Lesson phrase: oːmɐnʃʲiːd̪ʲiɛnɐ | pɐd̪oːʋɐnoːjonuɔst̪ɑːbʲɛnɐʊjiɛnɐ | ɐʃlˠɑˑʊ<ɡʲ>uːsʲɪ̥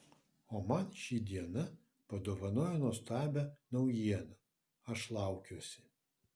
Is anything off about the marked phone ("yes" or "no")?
yes